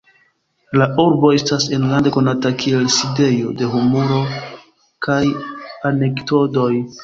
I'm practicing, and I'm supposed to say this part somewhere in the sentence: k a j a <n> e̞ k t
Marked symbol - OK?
yes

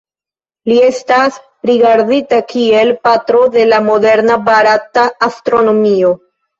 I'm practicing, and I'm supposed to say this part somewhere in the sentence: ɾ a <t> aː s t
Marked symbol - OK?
yes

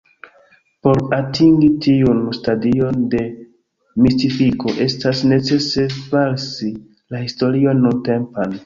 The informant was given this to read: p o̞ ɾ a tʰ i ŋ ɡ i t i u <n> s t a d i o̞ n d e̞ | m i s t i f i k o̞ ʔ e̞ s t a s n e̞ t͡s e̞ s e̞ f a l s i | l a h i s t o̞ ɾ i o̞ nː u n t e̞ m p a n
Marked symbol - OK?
yes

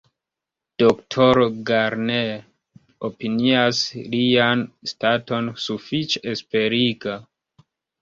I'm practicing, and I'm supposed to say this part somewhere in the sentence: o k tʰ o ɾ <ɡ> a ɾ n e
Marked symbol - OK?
yes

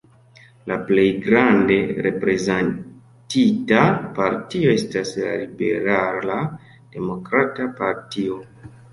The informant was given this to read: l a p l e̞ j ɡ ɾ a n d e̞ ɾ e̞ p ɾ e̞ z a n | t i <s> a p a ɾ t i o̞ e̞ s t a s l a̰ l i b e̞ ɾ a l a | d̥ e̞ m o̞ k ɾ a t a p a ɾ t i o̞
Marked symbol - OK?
no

